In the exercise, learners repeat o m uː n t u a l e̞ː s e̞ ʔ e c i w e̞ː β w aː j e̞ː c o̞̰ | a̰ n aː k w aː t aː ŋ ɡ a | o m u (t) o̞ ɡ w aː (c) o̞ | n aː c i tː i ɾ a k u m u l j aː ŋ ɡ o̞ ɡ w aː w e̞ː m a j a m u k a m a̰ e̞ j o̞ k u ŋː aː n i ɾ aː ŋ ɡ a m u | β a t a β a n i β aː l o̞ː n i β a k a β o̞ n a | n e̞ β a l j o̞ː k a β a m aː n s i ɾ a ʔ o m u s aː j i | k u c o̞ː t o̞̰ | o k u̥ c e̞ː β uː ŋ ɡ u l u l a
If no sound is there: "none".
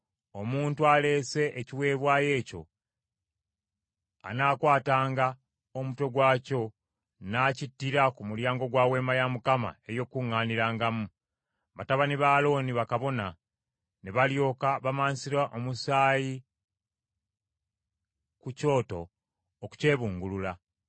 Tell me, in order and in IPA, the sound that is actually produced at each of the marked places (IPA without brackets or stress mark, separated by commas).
t, c